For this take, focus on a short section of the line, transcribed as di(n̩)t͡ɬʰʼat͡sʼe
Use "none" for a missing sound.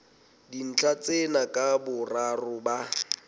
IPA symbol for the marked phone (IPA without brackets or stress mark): n̩